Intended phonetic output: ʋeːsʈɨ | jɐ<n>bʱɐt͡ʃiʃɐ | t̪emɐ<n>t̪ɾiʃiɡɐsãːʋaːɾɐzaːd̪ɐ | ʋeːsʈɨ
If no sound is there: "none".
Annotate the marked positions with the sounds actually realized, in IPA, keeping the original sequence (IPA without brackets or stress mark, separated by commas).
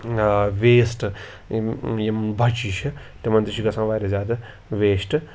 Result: m, n